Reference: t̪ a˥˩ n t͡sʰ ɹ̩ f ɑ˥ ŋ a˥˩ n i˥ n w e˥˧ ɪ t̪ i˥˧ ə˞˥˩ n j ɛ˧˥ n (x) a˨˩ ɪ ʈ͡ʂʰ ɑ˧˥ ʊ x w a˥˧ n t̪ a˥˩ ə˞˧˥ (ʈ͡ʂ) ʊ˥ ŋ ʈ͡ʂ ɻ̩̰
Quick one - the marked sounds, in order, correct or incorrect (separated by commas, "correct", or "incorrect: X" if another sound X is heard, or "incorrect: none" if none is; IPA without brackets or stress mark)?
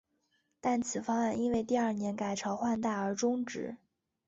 incorrect: k, correct